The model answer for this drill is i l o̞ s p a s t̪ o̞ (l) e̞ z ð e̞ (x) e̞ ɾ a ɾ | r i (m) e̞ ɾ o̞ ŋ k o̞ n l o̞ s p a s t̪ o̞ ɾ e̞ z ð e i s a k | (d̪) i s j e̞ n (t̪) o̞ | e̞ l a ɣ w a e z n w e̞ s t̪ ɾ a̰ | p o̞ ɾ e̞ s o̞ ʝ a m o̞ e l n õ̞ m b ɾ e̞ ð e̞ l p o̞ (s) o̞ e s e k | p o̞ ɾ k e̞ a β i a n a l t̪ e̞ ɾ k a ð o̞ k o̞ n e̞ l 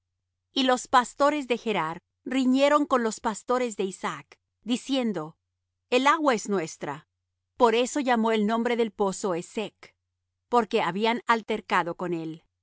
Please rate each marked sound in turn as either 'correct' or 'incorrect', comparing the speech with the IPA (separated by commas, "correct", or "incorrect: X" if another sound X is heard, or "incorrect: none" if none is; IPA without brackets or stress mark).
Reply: incorrect: ɾ, correct, incorrect: ɲ, correct, incorrect: d̪, correct